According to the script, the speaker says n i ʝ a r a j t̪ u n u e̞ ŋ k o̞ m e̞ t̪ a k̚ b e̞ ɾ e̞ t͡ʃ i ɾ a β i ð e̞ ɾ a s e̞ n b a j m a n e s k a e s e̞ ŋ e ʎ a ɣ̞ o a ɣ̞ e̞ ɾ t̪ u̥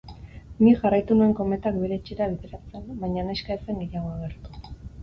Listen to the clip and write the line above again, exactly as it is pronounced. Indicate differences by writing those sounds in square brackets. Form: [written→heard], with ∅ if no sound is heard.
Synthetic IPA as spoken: n i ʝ a r a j t̪ u n u e̞ ŋ k o̞ m e̞ t̪ a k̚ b e̞ ɾ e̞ t͡ʃ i ɾ a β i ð e̞ ɾ a [s→t͡s] e̞ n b a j [m→ɲ] a n e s k a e s e̞ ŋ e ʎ a ɣ̞ o a ɣ̞ e̞ ɾ t̪ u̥